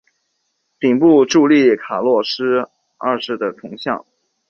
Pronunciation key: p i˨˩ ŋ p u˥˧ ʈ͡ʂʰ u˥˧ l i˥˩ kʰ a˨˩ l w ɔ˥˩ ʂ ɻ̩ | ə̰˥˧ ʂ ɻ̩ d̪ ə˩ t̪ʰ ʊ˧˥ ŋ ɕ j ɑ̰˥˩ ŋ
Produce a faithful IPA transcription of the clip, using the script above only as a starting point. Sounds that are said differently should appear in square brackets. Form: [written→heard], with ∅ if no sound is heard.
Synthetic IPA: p i˨˩ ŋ p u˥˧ [ʈ͡ʂʰ→ʈ͡ʂ] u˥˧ l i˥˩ kʰ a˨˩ l w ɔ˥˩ ʂ ɻ̩ | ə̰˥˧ ʂ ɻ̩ d̪ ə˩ t̪ʰ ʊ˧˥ ŋ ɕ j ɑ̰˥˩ ŋ